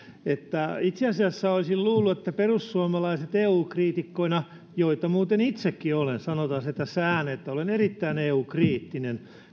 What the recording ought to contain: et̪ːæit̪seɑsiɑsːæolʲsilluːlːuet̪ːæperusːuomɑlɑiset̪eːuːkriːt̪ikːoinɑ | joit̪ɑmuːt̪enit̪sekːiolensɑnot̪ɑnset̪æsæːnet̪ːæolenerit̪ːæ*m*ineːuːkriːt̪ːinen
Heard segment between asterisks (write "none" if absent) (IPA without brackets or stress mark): none